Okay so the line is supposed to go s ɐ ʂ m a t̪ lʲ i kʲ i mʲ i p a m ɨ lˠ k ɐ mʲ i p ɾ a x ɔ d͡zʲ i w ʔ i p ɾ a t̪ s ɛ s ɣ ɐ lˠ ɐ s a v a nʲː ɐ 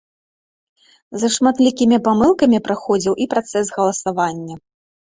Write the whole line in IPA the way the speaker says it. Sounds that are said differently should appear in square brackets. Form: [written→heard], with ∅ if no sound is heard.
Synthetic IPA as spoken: [s→z] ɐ ʂ m a t̪ lʲ i kʲ i mʲ i p a m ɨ lˠ k ɐ mʲ i p ɾ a x ɔ d͡zʲ i w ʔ i p ɾ a t̪ s ɛ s ɣ ɐ lˠ ɐ s a v a nʲː ɐ

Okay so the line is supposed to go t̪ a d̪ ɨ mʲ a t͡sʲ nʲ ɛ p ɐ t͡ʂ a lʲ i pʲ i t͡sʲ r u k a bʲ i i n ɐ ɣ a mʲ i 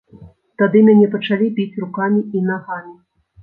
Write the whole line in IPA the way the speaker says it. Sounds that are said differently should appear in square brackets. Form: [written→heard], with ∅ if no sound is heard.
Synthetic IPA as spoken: t̪ a d̪ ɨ mʲ a [t͡sʲ→∅] nʲ ɛ p ɐ t͡ʂ a lʲ i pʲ i t͡sʲ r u k a [bʲ→mʲ] i i n [ɐ→a] ɣ a mʲ i

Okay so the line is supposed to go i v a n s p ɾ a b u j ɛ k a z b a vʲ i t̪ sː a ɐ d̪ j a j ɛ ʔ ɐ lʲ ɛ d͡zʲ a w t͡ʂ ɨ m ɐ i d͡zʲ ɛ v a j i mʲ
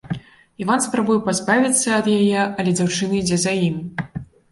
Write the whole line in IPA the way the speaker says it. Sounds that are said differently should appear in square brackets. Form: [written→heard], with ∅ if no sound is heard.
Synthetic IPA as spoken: i v a n s p ɾ a b u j ɛ [k→p] a z b a vʲ i t̪ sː [a→ɐ] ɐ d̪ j a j ɛ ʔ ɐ lʲ ɛ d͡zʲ a w t͡ʂ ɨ [m→n] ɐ i d͡zʲ ɛ [v→z] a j i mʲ

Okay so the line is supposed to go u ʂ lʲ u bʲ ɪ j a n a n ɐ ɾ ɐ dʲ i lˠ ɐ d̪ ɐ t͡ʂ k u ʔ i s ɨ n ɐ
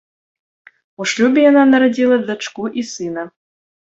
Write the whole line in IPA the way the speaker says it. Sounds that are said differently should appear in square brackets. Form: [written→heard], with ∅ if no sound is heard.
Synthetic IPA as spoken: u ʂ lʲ u bʲ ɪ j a n a n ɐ ɾ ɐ dʲ i lˠ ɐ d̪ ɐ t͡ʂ k u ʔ i s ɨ n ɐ

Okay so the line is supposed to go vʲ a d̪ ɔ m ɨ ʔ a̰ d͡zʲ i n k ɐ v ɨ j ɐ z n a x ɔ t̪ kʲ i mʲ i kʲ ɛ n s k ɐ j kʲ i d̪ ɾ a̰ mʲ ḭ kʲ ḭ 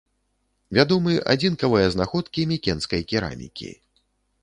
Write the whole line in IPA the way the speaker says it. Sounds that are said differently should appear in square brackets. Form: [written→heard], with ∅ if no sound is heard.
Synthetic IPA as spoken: vʲ a d̪ ɔ m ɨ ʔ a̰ d͡zʲ i n k ɐ v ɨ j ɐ z n a x ɔ t̪ kʲ i mʲ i kʲ ɛ n s k ɐ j kʲ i [d̪→∅] ɾ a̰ mʲ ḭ kʲ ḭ

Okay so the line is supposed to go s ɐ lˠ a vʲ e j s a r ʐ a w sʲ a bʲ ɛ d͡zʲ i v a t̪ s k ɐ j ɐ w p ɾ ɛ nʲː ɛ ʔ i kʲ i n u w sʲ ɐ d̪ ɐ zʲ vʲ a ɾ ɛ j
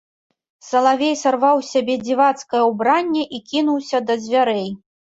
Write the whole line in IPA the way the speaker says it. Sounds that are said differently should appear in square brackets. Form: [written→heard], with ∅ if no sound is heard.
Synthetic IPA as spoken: s ɐ lˠ a vʲ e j s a r [ʐ→v] a w sʲ a bʲ ɛ d͡zʲ i v a t̪ s k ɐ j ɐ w [p→b] ɾ [ɛ→a] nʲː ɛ ʔ i kʲ i n u w sʲ ɐ d̪ ɐ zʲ vʲ a ɾ ɛ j

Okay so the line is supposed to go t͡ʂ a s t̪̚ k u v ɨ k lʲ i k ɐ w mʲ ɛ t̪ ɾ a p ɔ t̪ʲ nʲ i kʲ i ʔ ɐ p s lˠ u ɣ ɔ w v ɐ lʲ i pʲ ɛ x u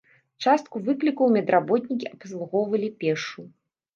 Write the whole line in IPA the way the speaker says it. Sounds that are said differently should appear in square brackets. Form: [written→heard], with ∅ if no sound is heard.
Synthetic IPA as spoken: t͡ʂ a s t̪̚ k u v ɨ k lʲ i k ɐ w mʲ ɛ [t̪→d̪] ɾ a [p→b] ɔ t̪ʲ nʲ i kʲ i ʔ ɐ p s lˠ u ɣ ɔ w v ɐ lʲ i pʲ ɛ [x→ʂ] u

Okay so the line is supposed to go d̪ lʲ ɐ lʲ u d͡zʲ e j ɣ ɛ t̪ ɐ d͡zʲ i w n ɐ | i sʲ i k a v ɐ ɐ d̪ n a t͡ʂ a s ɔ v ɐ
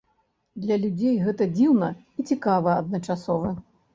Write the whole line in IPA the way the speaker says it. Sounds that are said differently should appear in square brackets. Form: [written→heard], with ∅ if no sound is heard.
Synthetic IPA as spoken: d̪ lʲ ɐ lʲ u d͡zʲ e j ɣ ɛ t̪ ɐ d͡zʲ i w n ɐ | i [sʲ→t͡sʲ] i k a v ɐ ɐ d̪ n [a→ɐ] t͡ʂ a s ɔ v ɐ

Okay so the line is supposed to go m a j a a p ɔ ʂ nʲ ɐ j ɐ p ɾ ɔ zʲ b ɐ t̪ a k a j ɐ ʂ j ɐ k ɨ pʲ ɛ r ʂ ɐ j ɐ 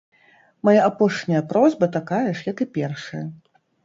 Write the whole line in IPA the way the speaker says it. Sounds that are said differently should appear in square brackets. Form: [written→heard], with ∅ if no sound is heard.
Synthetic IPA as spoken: m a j a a p ɔ ʂ nʲ ɐ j ɐ p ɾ ɔ zʲ b ɐ t̪ a k a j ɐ ʂ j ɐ k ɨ pʲ ɛ r ʂ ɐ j ɐ

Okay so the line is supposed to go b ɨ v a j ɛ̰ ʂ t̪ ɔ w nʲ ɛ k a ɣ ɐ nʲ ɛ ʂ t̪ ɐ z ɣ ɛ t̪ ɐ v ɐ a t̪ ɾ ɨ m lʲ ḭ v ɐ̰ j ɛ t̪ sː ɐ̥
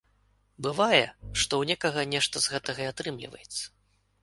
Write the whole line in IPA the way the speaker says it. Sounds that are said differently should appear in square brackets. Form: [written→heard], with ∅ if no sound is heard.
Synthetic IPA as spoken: b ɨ v a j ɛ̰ ʂ t̪ ɔ w nʲ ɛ k [a→ɐ] ɣ ɐ nʲ ɛ ʂ t̪ ɐ z ɣ ɛ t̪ ɐ [v→ɣ] ɐ a t̪ ɾ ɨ m lʲ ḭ v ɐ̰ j ɛ t̪ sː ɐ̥

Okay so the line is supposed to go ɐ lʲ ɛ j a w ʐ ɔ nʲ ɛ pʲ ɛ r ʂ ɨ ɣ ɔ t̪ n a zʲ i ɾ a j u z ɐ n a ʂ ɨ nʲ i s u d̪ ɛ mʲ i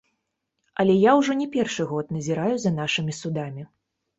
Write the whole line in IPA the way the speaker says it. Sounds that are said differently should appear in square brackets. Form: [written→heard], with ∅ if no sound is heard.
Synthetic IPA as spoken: ɐ lʲ ɛ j a w ʐ ɔ nʲ ɛ pʲ ɛ r ʂ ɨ ɣ ɔ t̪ n [a→ɐ] zʲ i ɾ a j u z ɐ n a ʂ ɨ [nʲ→mʲ] i s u d̪ [ɛ→a] mʲ i

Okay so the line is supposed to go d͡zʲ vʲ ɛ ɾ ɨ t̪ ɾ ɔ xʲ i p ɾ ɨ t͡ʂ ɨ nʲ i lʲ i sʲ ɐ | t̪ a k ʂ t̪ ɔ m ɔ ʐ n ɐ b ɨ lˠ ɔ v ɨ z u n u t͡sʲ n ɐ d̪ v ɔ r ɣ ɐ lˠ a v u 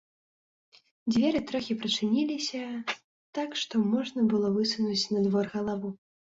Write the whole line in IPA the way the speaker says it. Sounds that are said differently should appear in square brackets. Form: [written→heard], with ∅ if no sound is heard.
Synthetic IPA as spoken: d͡zʲ vʲ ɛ ɾ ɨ t̪ ɾ ɔ xʲ i p ɾ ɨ t͡ʂ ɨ nʲ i lʲ i sʲ ɐ | t̪ a k ʂ t̪ ɔ m ɔ ʐ n ɐ b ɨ lˠ ɔ v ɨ [z→s] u n u t͡sʲ n ɐ d̪ v ɔ r ɣ ɐ lˠ a v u

